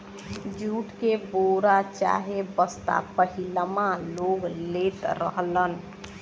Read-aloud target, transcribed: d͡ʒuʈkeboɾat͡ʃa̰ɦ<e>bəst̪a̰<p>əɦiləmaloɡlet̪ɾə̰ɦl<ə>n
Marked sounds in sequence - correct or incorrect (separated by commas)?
correct, correct, correct